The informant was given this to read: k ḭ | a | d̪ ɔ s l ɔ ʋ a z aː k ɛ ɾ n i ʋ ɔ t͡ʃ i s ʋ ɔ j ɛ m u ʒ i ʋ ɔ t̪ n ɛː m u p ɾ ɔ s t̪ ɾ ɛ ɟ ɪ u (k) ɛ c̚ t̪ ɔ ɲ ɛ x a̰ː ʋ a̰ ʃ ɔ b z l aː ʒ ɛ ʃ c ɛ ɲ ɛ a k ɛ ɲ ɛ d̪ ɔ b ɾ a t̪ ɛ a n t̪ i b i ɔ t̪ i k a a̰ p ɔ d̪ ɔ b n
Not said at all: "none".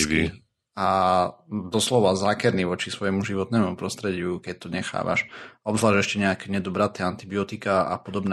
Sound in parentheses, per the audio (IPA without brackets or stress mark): k